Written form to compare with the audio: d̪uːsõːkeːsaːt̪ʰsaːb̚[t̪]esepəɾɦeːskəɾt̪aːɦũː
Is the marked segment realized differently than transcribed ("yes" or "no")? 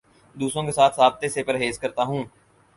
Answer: no